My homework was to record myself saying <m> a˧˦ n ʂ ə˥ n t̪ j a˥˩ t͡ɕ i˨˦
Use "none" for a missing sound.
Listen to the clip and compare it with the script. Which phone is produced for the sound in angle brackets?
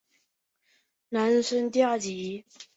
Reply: n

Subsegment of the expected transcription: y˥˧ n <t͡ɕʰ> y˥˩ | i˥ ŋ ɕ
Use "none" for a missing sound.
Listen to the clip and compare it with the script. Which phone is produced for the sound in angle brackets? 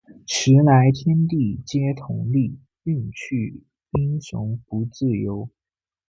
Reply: t͡ɕʰ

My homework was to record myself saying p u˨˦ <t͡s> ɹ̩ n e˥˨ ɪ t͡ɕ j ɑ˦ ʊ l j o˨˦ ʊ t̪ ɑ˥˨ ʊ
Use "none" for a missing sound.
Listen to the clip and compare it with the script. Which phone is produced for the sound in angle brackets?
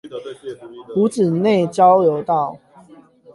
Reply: t͡s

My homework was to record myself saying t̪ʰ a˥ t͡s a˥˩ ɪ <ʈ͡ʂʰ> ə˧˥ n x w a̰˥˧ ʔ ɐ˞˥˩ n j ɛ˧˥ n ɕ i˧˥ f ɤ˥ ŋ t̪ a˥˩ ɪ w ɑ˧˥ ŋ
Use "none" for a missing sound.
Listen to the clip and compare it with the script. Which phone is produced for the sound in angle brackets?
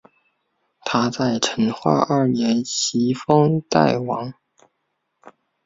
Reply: ʈ͡ʂʰ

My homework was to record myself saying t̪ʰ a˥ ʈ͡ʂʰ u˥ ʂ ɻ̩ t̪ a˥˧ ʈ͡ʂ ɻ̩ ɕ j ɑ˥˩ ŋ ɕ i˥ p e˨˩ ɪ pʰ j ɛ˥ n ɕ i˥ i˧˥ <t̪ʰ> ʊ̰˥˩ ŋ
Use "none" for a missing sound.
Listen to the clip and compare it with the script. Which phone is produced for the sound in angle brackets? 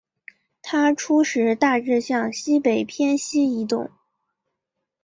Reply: t̪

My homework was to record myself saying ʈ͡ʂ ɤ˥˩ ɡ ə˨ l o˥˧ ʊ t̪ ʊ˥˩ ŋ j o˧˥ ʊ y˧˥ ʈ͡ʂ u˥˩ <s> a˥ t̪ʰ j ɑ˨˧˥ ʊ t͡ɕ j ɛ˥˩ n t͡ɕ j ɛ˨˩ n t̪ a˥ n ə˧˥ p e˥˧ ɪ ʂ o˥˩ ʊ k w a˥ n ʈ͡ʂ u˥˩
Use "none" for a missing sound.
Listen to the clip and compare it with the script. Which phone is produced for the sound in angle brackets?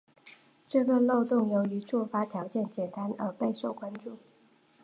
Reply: f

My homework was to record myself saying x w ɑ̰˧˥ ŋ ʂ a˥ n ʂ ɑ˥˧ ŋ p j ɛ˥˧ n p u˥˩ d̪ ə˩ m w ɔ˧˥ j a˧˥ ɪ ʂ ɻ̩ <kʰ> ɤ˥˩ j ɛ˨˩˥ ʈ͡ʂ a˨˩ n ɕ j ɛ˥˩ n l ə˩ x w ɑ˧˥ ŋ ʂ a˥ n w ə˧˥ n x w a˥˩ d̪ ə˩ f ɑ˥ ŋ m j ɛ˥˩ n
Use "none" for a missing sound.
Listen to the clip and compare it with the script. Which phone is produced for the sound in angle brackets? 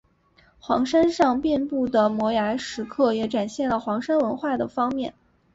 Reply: kʰ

